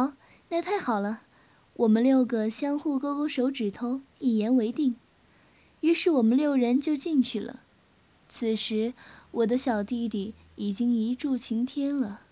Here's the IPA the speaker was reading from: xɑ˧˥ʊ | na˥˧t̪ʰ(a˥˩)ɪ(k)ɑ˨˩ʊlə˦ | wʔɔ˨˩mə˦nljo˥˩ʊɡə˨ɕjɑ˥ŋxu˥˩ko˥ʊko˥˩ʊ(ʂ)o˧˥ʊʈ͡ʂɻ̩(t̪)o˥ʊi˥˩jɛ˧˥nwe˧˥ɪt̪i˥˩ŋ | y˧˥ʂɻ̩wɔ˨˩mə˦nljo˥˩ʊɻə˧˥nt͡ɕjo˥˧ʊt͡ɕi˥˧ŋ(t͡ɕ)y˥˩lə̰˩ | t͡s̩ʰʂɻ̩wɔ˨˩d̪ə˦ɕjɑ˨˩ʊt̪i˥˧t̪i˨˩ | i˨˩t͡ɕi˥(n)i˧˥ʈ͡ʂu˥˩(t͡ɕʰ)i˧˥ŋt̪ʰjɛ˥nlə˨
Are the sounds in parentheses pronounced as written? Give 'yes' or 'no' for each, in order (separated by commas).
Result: yes, no, yes, no, no, no, yes